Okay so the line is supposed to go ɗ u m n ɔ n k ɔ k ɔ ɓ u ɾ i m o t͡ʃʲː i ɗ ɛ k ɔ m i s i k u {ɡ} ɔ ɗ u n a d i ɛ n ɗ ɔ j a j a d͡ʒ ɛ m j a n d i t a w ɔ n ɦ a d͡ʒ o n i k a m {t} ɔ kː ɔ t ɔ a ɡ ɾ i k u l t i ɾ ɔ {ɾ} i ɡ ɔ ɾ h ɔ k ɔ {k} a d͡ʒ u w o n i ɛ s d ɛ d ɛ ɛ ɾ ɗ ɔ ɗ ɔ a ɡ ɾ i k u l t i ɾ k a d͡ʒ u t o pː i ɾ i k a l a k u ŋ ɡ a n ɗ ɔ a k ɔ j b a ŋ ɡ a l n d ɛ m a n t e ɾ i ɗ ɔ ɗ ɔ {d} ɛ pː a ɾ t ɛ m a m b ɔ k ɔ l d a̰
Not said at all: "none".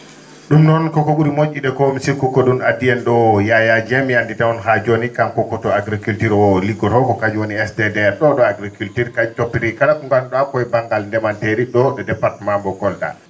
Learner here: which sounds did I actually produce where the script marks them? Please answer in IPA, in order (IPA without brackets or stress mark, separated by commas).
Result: k, k, l, k, d